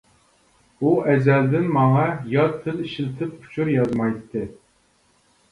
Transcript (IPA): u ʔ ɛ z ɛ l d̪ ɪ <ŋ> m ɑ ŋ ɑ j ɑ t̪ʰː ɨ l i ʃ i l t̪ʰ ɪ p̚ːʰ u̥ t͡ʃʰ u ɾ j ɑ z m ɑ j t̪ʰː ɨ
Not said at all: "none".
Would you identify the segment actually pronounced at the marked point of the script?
n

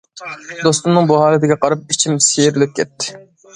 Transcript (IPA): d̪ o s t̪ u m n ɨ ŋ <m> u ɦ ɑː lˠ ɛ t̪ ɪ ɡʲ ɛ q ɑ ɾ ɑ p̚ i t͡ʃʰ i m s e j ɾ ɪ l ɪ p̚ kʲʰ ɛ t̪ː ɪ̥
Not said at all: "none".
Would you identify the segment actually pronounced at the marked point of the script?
b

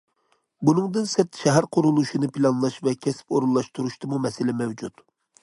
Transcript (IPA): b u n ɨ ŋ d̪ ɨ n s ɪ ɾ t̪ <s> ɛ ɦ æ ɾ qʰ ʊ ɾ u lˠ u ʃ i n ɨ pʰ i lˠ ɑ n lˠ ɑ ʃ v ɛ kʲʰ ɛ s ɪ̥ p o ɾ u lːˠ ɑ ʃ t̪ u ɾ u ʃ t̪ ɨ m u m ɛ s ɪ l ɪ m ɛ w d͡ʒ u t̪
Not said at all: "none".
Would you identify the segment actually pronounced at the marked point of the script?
ʃ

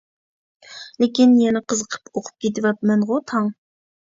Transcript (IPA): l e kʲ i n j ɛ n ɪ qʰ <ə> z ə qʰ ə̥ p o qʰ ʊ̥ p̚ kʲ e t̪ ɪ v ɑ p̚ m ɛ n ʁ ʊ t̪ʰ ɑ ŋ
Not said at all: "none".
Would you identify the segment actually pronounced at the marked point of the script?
ə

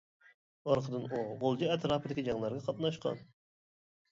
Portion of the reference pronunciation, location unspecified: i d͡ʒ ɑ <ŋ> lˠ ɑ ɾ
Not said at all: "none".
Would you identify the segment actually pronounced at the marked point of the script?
ŋ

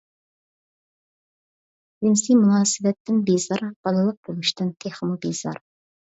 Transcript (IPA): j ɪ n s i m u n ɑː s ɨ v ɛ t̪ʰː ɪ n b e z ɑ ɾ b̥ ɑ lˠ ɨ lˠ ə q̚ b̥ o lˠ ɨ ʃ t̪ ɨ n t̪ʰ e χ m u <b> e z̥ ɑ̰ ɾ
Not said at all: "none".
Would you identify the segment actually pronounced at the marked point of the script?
b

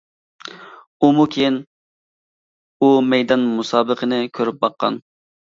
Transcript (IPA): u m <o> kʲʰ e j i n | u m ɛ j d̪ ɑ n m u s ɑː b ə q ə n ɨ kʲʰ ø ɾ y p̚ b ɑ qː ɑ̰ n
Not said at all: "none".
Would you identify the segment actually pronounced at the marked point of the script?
u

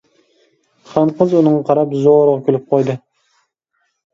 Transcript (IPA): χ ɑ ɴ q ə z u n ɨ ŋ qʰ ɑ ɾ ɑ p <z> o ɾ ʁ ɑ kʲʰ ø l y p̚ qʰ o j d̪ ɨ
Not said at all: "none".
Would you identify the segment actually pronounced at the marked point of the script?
z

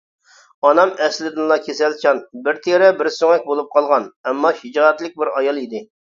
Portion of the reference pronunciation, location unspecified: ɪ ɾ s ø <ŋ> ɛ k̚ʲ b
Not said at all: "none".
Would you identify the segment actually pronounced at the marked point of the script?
ŋ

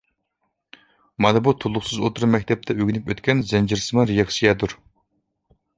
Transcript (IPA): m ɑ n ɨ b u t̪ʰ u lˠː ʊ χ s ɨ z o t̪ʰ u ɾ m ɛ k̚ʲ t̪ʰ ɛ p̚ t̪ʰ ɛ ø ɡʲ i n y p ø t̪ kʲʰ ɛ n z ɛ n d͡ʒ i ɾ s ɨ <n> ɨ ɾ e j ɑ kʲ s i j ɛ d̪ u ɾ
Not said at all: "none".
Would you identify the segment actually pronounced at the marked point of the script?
m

